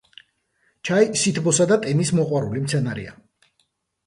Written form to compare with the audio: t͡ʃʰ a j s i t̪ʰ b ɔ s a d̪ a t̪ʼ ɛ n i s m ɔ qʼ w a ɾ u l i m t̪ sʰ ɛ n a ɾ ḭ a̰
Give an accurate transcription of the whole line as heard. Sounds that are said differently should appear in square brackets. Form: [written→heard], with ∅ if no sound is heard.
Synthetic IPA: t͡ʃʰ a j s i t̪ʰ b ɔ s a d̪ a t̪ʼ ɛ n i s m ɔ qʼ w a ɾ u l i m t̪ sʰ ɛ n a ɾ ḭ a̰